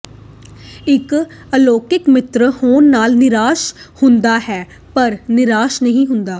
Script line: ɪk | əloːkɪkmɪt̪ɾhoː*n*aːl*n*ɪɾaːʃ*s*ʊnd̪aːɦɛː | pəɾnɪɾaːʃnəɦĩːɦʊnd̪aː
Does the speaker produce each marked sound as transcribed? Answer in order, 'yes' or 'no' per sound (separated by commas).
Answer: no, yes, no